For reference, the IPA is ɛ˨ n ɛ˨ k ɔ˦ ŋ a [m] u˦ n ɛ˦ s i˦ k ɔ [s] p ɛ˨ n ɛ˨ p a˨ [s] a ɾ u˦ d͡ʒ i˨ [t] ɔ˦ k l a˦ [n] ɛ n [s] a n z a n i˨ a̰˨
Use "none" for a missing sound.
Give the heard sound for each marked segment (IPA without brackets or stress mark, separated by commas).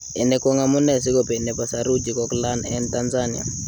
m, none, s, k, n, t